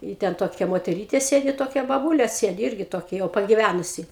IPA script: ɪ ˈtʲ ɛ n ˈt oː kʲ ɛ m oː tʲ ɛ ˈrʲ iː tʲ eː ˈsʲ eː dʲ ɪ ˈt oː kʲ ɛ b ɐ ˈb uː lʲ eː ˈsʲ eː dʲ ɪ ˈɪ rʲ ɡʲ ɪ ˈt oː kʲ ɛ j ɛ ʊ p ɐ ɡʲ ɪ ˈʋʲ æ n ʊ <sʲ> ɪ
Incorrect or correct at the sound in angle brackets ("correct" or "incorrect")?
correct